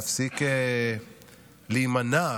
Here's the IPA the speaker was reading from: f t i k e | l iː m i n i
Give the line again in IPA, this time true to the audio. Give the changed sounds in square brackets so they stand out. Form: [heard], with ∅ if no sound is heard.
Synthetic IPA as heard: f [s] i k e | l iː m [a] n [a]